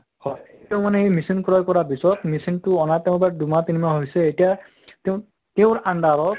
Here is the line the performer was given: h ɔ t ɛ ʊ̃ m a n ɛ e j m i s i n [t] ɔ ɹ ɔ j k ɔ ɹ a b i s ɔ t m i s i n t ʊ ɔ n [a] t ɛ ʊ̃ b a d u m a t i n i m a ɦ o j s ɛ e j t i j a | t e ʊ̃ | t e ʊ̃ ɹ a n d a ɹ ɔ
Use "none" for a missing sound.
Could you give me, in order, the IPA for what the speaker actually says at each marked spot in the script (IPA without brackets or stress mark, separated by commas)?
k, a